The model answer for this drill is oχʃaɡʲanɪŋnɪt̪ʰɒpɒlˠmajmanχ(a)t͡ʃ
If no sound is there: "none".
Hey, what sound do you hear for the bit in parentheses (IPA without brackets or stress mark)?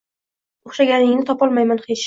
e